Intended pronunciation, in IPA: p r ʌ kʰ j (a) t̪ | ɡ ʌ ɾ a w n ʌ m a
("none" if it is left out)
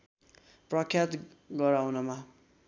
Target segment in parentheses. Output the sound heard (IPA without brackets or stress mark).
a